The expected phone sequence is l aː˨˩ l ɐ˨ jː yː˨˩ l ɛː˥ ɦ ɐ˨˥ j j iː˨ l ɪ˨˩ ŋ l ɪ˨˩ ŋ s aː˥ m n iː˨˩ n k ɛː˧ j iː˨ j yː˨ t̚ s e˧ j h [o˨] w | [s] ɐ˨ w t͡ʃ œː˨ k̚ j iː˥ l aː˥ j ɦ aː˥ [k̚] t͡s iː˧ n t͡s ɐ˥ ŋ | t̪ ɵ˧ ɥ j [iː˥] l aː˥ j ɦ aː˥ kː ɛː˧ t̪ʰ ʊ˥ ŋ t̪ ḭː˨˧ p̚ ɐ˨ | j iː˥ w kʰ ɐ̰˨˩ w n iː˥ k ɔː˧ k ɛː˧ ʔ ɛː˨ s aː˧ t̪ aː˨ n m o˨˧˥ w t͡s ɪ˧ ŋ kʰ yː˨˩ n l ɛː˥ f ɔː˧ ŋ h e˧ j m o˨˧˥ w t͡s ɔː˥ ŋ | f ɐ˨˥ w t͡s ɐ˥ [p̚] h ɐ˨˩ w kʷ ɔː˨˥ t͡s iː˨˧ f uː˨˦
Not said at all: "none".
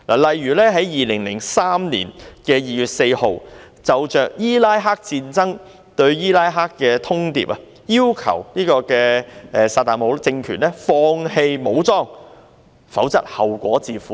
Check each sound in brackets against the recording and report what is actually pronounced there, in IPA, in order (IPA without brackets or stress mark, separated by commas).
o˨, t͡s, k̚, iː˥, t̚